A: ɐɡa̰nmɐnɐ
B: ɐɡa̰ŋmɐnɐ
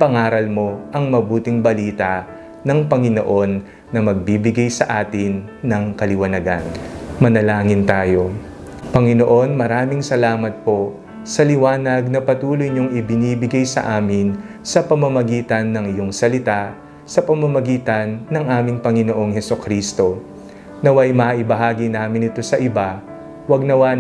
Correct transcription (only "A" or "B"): A